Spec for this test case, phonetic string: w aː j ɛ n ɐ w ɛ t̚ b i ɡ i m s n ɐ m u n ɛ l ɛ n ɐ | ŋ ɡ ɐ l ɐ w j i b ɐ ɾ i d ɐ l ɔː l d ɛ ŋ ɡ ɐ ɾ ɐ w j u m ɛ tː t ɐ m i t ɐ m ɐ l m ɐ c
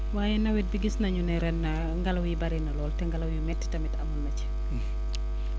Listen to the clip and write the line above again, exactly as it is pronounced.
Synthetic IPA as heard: w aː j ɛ n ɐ w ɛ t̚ b i ɡ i s n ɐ ɲ u n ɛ ɾ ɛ n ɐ | ŋ ɡ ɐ l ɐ w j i b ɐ ɾ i n ɐ l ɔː l t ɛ ŋ ɡ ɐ l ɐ w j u m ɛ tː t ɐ m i t ɐ m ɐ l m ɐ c